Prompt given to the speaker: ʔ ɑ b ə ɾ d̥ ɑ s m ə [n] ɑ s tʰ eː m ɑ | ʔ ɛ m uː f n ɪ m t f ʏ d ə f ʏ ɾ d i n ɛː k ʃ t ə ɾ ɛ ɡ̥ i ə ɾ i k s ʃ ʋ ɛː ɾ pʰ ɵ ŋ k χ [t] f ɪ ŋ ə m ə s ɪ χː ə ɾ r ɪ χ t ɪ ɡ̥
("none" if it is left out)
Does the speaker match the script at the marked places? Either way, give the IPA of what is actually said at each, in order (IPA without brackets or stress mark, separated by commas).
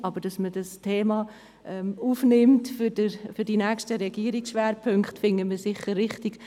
d, t